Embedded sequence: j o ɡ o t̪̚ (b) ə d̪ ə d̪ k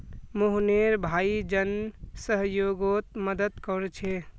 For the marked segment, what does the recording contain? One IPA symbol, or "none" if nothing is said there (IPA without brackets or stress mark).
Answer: m